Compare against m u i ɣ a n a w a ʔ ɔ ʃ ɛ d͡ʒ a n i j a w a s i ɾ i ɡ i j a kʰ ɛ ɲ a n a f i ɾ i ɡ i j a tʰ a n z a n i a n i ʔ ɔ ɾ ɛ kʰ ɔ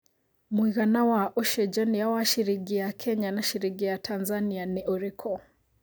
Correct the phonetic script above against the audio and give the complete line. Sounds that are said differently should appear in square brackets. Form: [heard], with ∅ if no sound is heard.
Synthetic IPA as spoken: m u i ɣ a n a w a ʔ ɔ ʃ ɛ d͡ʒ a n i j a w a [ʃ] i ɾ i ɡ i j a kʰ ɛ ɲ a n a [ʃ] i ɾ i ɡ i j a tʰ a n z a n i a n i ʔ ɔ ɾ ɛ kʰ ɔ